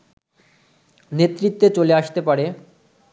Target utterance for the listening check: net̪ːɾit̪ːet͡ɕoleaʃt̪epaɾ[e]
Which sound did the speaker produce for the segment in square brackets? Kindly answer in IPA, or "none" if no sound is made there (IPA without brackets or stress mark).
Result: e